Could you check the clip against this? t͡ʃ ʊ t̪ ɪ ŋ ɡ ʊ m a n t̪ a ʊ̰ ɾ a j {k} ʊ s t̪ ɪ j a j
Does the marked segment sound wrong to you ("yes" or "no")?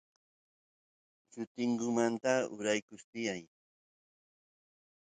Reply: no